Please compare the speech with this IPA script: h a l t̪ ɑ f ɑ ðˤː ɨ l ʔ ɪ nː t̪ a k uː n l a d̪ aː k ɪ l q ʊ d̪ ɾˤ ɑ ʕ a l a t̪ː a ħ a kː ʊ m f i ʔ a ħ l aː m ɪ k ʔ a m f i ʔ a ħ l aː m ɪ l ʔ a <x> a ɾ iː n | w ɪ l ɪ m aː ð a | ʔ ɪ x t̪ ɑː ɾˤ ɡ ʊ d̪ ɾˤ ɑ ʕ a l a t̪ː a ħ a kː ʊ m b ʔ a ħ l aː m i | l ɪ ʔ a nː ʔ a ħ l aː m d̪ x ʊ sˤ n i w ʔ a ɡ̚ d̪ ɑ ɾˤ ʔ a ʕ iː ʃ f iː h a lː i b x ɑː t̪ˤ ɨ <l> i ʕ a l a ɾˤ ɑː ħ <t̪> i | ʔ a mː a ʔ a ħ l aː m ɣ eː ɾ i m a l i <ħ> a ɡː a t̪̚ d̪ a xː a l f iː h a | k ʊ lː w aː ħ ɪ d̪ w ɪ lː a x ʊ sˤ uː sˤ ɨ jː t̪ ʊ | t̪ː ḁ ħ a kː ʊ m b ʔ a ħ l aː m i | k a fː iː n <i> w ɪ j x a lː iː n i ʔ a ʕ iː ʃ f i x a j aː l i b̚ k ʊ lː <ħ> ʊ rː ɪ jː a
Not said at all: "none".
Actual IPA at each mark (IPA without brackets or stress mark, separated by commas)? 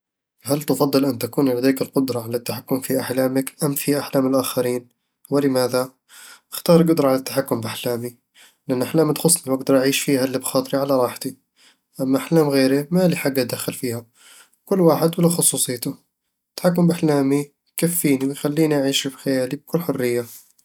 x, ɾ, t̪, ħ, i, ħ